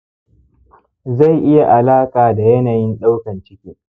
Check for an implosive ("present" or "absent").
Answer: present